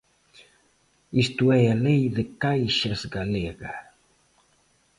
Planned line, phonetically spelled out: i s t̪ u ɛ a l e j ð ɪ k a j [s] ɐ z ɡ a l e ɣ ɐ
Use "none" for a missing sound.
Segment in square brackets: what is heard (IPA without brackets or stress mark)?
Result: ʃ